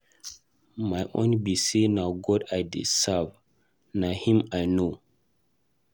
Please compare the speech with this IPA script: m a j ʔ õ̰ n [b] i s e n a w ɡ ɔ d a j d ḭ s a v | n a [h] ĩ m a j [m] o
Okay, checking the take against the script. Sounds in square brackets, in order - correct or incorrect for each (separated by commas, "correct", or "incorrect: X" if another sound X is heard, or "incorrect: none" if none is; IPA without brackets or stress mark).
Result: correct, correct, incorrect: n